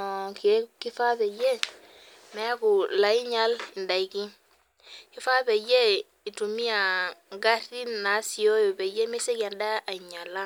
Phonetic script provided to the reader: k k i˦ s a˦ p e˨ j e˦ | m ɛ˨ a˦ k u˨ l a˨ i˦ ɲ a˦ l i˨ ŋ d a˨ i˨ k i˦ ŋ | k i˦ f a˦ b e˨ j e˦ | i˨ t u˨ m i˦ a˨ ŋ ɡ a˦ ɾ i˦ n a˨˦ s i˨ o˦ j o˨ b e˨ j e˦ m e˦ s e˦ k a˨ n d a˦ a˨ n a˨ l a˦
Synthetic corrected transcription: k k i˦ f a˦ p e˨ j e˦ | m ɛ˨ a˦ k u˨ l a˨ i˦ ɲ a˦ l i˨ n d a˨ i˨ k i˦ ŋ | k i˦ f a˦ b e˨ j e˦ | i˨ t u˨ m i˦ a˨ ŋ ɡ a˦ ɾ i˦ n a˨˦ s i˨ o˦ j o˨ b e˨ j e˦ m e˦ s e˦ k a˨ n d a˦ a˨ ɲ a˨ l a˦